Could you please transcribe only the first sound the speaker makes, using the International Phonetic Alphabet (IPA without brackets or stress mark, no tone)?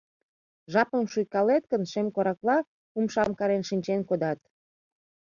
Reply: ʒ